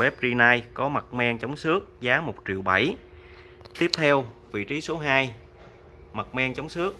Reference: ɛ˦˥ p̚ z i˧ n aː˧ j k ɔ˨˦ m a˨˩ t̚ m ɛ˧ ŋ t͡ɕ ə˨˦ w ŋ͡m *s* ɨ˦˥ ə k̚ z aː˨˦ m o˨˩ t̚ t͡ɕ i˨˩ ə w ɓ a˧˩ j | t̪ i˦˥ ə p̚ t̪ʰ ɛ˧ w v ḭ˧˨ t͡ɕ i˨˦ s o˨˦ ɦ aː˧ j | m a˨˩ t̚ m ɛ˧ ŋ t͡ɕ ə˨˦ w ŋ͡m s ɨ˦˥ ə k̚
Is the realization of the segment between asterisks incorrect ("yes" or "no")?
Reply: no